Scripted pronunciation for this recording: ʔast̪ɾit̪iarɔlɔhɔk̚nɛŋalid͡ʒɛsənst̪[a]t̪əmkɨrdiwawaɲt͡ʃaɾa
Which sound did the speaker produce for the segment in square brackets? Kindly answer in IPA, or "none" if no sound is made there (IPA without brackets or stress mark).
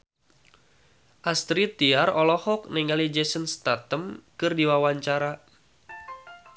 a